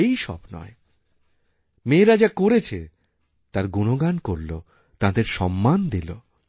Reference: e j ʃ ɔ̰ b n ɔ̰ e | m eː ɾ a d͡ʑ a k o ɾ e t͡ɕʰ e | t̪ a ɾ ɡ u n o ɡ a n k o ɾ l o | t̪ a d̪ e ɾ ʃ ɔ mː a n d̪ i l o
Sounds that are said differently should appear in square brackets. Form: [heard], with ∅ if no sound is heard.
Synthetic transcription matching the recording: e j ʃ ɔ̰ b n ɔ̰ e | m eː ɾ a d͡ʑ a k o ɾ e t͡ɕʰ e | t̪ a ɾ ɡ u n o ɡ a n k o ɾ l o | t̪ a d̪ e ɾ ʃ ɔ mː a n d̪ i l o